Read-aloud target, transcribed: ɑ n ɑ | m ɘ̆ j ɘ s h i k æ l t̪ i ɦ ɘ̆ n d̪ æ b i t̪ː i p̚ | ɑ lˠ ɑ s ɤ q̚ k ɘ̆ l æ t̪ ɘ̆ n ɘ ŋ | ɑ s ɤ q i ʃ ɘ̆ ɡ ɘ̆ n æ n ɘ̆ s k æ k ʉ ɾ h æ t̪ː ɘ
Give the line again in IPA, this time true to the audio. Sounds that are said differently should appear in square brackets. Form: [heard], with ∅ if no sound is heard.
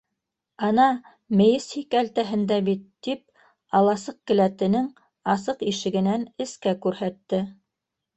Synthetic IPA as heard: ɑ n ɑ | m ɘ̆ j ɘ s h i k æ l t̪ [æ] ɦ ɘ̆ n d̪ æ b i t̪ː i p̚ | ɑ lˠ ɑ s ɤ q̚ k ɘ̆ l æ t̪ ɘ̆ n ɘ ŋ | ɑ s ɤ q i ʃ ɘ̆ ɡ ɘ̆ n æ n ɘ̆ s k æ k ʉ ɾ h æ t̪ː ɘ